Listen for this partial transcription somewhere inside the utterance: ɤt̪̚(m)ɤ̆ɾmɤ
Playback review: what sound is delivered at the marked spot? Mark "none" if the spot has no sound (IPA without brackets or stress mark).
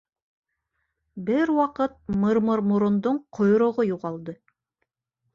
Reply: m